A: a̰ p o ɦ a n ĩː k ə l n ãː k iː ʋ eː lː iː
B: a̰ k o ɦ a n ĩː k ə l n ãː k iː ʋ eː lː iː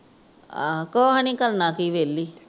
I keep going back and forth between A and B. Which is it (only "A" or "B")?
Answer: B